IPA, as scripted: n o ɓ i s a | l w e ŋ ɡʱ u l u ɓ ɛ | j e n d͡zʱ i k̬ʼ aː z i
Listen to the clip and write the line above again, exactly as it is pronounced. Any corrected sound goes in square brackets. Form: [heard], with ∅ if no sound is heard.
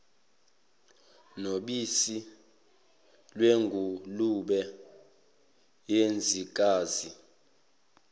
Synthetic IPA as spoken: n o ɓ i s [i] | l w e ŋ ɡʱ u l u ɓ ɛ | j e n d͡zʱ i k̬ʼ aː z i